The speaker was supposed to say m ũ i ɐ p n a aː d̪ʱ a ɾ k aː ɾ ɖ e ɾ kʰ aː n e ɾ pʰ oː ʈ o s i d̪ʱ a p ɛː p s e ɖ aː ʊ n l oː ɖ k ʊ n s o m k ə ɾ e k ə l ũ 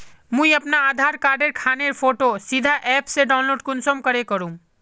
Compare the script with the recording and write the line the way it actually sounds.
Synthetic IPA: m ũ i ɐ p n a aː d̪ʱ a ɾ k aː ɾ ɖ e ɾ kʰ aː n e ɾ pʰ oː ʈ o s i d̪ʱ a ʔ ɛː p s e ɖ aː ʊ n l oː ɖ k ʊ n s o m k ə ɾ e k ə ɾ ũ